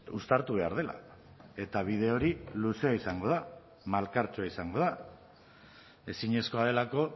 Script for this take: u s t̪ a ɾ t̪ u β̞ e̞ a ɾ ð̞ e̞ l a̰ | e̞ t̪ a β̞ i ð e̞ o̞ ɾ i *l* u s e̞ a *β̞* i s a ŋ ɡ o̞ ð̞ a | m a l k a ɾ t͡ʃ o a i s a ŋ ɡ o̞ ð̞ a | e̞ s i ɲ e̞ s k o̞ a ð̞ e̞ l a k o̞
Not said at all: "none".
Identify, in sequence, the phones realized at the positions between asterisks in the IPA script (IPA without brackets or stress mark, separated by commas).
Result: l, none